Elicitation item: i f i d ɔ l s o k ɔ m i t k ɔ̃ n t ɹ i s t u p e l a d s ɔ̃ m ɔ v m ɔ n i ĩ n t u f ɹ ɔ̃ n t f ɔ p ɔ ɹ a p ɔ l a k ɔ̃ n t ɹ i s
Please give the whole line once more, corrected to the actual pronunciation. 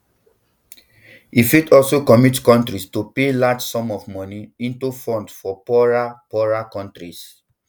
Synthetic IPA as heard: i f i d ɔ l s o k ɔ m i t k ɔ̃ n t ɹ i s t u p e l a d͡ʒ s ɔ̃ m ɔ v m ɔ n i ĩ n t u f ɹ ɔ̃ n t f ɔ p ɔ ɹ a p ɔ ɹ a k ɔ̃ n t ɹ i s

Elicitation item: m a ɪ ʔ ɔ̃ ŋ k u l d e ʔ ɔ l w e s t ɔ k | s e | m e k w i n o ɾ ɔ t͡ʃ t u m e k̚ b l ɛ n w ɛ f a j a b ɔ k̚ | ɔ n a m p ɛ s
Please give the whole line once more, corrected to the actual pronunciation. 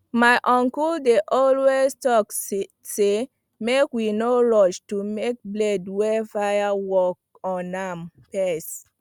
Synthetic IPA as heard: m a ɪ ʔ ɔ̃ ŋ k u l d e ʔ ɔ l w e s t ɔ k | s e | m e k w i n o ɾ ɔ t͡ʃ t u m e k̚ b l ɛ d w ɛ f a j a w ɔ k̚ | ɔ n a m p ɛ s

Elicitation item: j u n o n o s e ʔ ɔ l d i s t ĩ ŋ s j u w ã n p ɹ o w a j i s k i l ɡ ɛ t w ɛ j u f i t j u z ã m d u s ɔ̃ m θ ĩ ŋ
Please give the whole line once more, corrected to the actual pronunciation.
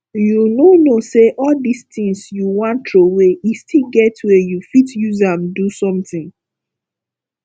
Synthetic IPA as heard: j u n o n o s e ʔ ɔ l d i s t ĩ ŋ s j u w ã n t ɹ o w e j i s t i l ɡ ɛ t w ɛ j u f i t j u z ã m d u s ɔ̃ m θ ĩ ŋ

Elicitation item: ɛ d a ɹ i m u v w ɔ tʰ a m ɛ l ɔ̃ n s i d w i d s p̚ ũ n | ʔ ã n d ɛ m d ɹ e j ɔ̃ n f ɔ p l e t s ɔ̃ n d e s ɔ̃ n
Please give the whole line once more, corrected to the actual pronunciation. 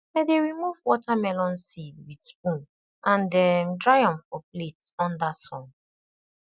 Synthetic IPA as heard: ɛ d e ɹ i m u v w ɔ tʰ a m ɛ l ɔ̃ n s i d w i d s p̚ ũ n | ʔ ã n d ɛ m d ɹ a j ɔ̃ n f ɔ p l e t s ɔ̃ n d a s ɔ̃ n

